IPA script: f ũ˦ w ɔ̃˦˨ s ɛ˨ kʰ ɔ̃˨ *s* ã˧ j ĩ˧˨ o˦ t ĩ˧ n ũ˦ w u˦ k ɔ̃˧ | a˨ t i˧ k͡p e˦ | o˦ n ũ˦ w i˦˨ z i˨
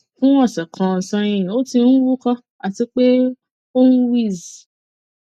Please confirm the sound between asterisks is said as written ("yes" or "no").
yes